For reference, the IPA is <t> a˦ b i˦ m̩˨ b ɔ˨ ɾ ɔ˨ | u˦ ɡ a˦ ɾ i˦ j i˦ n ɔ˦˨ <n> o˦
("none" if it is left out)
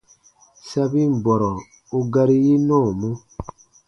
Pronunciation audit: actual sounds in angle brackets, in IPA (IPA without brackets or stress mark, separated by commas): s, m